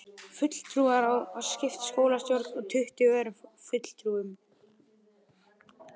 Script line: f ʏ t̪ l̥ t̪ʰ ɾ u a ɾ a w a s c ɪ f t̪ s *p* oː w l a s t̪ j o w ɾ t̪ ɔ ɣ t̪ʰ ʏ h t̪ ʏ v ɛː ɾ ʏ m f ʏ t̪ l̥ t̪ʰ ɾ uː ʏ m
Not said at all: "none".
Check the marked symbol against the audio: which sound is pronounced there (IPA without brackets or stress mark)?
k